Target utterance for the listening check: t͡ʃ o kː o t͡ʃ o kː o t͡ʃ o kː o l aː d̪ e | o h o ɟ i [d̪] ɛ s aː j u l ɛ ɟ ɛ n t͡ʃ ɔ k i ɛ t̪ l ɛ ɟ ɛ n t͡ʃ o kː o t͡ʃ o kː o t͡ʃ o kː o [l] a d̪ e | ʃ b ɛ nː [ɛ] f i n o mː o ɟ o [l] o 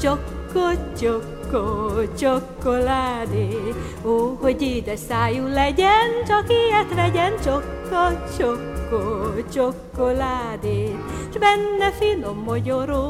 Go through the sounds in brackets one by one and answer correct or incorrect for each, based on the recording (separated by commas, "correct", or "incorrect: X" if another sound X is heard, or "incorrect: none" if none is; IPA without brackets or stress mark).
correct, correct, correct, incorrect: ɾ